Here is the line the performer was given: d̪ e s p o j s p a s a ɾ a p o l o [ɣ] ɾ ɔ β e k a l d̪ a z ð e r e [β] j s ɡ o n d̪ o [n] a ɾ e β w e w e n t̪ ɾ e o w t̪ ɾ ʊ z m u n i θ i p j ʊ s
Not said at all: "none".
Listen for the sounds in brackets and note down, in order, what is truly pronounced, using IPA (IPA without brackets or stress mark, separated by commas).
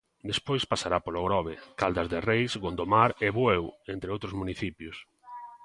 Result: ɣ, none, m